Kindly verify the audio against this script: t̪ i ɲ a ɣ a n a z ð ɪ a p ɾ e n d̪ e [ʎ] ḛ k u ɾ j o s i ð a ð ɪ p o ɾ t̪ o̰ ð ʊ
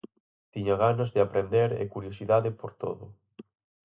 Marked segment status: incorrect: ɾ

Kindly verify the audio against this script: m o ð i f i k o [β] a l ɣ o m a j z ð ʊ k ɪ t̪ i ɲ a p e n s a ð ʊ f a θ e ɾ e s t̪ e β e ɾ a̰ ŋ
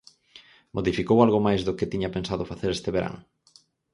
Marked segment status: incorrect: w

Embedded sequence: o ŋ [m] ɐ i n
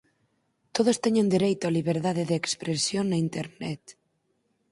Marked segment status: incorrect: n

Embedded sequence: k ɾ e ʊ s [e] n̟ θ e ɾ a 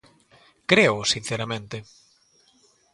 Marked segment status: incorrect: i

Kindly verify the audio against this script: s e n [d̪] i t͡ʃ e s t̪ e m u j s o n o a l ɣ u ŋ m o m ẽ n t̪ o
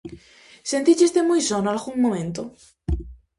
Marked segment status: incorrect: t̪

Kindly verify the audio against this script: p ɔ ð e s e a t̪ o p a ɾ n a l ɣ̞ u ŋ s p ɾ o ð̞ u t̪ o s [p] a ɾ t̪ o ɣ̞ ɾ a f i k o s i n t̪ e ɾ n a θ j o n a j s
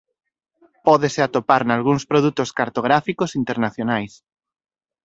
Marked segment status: incorrect: k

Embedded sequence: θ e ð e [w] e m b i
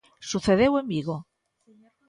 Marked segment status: correct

